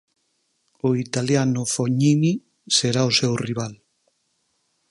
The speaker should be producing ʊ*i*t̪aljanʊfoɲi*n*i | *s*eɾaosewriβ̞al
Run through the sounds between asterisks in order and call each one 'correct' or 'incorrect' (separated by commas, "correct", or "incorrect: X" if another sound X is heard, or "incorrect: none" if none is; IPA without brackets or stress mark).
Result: correct, correct, correct